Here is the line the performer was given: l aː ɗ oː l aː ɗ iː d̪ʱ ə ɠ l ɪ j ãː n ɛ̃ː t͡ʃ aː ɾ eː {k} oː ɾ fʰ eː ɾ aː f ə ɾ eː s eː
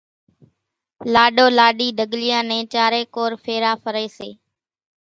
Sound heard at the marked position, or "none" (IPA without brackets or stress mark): k